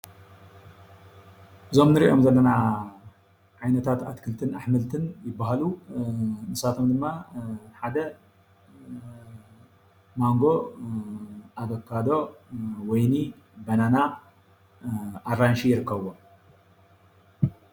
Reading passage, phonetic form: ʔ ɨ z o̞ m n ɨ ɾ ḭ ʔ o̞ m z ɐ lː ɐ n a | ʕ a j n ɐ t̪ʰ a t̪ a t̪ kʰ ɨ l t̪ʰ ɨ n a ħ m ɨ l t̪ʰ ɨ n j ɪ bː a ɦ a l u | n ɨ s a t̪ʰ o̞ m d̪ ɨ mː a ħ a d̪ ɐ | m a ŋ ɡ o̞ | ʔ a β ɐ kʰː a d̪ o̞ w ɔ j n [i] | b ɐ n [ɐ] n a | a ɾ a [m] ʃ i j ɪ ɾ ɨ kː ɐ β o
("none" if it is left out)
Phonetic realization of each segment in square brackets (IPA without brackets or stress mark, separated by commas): i, a, n